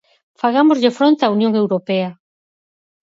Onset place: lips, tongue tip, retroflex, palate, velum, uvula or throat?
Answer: lips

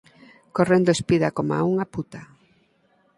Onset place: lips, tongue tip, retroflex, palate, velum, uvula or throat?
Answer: velum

